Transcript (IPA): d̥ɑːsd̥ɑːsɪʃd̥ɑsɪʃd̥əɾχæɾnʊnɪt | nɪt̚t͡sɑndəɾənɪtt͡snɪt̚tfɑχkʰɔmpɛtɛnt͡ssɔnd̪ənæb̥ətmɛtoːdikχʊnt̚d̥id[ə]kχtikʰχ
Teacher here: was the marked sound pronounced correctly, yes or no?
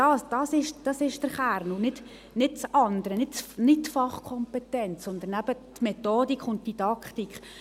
no